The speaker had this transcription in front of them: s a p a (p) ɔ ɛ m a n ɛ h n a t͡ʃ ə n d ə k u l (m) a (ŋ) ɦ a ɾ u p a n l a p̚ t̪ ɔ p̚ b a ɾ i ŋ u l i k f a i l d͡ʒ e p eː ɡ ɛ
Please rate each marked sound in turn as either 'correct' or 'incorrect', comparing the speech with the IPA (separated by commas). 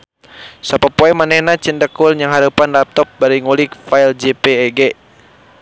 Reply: correct, incorrect, correct